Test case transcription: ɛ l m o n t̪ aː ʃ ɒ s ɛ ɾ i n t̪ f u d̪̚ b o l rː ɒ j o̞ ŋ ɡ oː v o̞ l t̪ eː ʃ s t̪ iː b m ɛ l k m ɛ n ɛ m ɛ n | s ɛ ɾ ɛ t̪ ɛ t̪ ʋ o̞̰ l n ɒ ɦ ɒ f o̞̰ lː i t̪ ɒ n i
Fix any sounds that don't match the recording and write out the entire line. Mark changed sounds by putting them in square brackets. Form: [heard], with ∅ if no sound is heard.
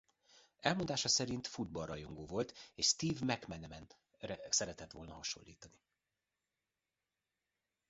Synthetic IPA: ɛ l m o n [d̪] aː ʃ ɒ s ɛ ɾ i n t̪ f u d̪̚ b [ɒ] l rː ɒ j o̞ ŋ ɡ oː v o̞ l t̪ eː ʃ s t̪ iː [v] m ɛ [∅] k m ɛ n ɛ m ɛ n | s ɛ ɾ ɛ t̪ ɛ t̪ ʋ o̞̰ l n ɒ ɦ ɒ [ʃ] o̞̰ lː [iː] t̪ ɒ n i